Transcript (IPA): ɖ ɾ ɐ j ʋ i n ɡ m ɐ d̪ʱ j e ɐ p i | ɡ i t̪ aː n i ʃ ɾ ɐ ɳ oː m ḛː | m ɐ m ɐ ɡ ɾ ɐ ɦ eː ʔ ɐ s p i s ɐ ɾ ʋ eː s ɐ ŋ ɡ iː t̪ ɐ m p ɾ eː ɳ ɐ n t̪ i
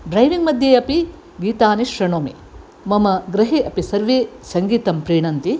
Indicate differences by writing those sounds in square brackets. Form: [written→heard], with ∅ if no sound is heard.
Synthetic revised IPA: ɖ ɾ ɐ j ʋ i [n→ŋ] ɡ m ɐ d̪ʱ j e ɐ p i | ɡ [i→iː] t̪ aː n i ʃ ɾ ɐ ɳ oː m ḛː | m ɐ m ɐ ɡ ɾ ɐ ɦ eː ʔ ɐ [s→∅] p i s ɐ ɾ ʋ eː s ɐ ŋ ɡ iː t̪ ɐ m p ɾ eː ɳ ɐ n t̪ i

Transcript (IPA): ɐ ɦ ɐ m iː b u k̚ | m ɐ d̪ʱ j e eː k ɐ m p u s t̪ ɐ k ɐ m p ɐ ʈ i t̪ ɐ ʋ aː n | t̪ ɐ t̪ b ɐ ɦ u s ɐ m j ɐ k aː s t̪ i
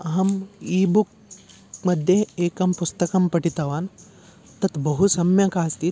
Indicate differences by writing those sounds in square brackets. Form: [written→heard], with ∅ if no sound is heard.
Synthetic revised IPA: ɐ ɦ ɐ m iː b u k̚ | m ɐ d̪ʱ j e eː k ɐ m p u s t̪ ɐ k ɐ m p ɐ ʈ i t̪ ɐ ʋ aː n | t̪ ɐ t̪ b ɐ ɦ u s ɐ m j ɐ k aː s t̪ i

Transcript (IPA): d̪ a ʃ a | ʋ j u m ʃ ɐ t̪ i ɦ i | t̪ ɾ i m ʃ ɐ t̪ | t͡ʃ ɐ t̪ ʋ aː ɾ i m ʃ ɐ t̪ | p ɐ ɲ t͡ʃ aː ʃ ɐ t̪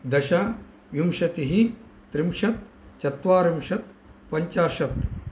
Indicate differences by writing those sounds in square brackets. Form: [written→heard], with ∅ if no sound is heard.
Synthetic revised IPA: d̪ [a→ɐ] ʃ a | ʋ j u m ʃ ɐ t̪ i ɦ i | t̪ ɾ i m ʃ ɐ t̪ | t͡ʃ ɐ t̪ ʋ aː ɾ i m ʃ ɐ t̪ | p ɐ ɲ t͡ʃ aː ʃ ɐ t̪

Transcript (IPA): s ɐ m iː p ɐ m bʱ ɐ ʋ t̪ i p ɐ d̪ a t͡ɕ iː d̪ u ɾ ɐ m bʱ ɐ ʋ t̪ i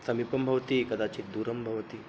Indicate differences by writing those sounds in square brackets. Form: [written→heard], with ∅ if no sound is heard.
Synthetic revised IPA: s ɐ m [iː→i] p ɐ m bʱ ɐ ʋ t̪ i [p→k] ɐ d̪ a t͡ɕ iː d̪ u ɾ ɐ m bʱ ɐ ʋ t̪ i

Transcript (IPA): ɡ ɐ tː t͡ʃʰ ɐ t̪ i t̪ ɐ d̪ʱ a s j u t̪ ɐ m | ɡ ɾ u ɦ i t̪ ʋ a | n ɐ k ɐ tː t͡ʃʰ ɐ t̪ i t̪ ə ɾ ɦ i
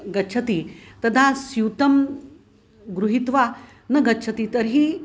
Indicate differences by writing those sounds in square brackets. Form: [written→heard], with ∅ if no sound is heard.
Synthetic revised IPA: ɡ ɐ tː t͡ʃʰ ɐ t̪ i t̪ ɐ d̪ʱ a s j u t̪ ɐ m | ɡ ɾ u ɦ i t̪ ʋ a | n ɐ [k→ɡ] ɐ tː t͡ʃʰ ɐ t̪ i t̪ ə ɾ ɦ i

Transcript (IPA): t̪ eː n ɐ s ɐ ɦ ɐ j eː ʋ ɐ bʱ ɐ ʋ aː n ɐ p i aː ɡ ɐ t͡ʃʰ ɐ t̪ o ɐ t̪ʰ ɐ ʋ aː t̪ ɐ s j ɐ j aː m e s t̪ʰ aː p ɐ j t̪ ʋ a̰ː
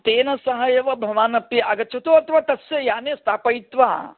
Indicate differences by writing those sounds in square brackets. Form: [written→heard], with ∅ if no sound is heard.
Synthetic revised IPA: t̪ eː n ɐ s ɐ ɦ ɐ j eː ʋ ɐ bʱ ɐ ʋ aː n ɐ p i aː ɡ ɐ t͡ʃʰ ɐ t̪ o ɐ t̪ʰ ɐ ʋ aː t̪ ɐ s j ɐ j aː [m→n] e s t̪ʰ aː p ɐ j t̪ ʋ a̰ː

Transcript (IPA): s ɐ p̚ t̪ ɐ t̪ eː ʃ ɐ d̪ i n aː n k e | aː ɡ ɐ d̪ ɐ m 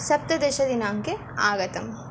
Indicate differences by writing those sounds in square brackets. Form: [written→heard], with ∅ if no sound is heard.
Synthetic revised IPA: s ɐ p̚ t̪ ɐ [t̪→d̪] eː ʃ ɐ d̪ i n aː [n→ŋ] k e | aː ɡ ɐ [d̪→t̪] ɐ m

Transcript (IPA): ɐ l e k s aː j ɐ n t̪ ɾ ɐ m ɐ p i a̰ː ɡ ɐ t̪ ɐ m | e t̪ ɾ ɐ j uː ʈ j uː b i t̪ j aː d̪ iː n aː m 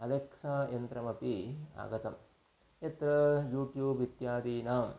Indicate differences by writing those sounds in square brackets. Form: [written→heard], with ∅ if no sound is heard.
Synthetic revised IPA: ɐ l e k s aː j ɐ n t̪ ɾ ɐ m ɐ p i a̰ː ɡ ɐ t̪ ɐ m | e t̪ ɾ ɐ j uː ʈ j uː b i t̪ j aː d̪ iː n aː m

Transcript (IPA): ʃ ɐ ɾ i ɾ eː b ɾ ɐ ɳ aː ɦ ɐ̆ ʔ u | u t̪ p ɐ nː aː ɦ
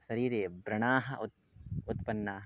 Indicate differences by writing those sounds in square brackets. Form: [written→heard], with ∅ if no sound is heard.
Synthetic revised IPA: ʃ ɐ ɾ [i→iː] ɾ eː b ɾ ɐ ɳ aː ɦ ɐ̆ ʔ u | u t̪ p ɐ nː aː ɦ

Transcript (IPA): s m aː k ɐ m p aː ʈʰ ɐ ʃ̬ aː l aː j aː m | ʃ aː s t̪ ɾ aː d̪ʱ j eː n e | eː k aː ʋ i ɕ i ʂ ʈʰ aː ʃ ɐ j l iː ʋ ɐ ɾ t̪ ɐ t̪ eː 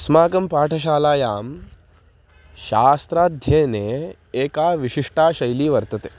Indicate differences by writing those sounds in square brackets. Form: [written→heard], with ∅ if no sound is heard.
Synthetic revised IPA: s m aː k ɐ m p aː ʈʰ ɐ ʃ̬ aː l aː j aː m | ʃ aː s t̪ ɾ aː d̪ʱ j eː n e | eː k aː ʋ i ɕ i ʂ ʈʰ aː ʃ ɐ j l iː ʋ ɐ ɾ t̪ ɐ t̪ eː

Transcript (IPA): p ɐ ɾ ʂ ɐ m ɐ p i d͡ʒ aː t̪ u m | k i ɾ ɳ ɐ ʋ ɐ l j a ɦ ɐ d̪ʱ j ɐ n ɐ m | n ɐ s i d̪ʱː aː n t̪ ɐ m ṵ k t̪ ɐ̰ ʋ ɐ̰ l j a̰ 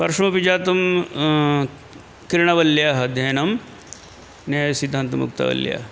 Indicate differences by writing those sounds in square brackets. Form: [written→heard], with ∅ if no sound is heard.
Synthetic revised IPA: p ɐ ɾ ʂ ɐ m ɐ p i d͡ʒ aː t̪ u m | k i ɾ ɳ ɐ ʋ ɐ l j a ɦ ɐ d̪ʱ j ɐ n ɐ m | n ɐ s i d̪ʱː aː n t̪ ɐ m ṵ k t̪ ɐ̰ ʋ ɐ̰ l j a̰

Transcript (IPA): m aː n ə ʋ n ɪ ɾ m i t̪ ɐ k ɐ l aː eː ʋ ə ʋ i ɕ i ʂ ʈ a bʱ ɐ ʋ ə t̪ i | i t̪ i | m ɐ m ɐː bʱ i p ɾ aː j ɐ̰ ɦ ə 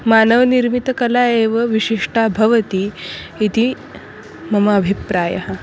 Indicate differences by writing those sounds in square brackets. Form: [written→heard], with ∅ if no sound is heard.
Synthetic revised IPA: m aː n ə ʋ n [ɪ→i] ɾ m i t̪ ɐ k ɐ l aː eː ʋ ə ʋ i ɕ i ʂ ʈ a bʱ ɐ ʋ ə t̪ i | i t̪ i | m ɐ m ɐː bʱ i p ɾ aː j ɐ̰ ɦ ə

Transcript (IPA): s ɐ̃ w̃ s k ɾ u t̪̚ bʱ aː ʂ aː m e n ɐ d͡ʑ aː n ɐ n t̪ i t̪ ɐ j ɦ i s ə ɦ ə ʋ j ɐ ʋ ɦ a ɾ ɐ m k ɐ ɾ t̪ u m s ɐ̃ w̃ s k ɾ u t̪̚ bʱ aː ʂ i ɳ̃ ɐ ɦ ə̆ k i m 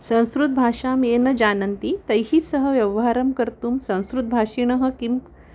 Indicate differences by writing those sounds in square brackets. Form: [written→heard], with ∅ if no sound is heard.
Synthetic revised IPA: s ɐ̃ w̃ s k ɾ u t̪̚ bʱ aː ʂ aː m e n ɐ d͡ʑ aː n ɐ n t̪ i t̪ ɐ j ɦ i s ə ɦ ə ʋ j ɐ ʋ ɦ a ɾ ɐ m k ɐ ɾ t̪ u m s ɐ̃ w̃ s k ɾ u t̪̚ bʱ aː ʂ i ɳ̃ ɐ ɦ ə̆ k i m

